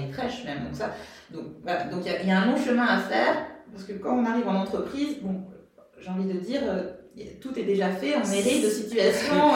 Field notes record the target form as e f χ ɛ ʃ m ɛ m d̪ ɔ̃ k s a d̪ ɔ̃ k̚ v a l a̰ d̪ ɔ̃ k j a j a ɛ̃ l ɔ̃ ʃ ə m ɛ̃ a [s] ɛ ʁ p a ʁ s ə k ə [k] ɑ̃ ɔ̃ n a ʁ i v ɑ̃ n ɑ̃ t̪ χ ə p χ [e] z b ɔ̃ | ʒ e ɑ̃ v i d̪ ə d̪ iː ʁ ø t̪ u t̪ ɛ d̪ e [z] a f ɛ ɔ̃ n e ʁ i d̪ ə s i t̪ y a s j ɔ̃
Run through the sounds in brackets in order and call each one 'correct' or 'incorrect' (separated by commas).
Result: incorrect, correct, incorrect, incorrect